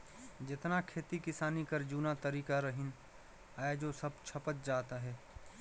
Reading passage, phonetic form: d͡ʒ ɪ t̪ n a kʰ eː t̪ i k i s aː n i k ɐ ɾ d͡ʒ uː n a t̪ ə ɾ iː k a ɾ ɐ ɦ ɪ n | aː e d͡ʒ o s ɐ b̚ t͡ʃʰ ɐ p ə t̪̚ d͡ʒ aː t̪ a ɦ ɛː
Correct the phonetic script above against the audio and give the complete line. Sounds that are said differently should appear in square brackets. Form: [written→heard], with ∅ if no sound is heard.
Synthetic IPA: d͡ʒ ɪ t̪ n a kʰ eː t̪ i k [i→ɪ] s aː n i k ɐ ɾ d͡ʒ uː n a t̪ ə ɾ iː k a ɾ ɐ ɦ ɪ n | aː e d͡ʒ o s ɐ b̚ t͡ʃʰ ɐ p ə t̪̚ d͡ʒ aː t̪ a ɦ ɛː